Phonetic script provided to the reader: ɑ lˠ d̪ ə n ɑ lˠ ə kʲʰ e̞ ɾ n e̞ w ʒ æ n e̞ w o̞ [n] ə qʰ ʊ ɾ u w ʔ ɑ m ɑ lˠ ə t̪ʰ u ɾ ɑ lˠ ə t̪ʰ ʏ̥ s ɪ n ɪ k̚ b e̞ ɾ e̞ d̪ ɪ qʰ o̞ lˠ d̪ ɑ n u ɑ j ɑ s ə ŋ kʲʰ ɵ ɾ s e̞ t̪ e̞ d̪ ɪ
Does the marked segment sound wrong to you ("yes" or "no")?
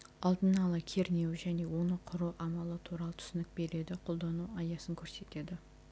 no